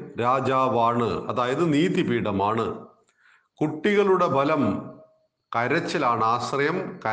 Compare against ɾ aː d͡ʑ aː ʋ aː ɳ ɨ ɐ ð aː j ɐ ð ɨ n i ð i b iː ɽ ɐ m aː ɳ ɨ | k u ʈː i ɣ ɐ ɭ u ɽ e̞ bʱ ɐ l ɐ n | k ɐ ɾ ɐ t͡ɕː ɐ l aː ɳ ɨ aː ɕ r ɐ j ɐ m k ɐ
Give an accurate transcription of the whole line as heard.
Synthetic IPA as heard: ɾ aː d͡ʑ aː ʋ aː ɳ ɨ ɐ ð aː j ɐ ð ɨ n iː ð i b iː ɽ ɐ m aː ɳ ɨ | k u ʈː i ɣ ɐ ɭ u ɽ e̞ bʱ ɐ l ɐ m | k ɐ ɾ ɐ t͡ɕː ɐ l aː ɳ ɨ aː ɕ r ɐ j ɐ m k ɐ